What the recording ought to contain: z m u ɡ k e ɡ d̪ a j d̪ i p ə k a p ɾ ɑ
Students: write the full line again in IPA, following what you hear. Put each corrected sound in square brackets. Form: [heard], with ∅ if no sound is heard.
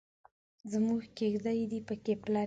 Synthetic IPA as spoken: z m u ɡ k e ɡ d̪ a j d̪ i p ə k [e] p [l] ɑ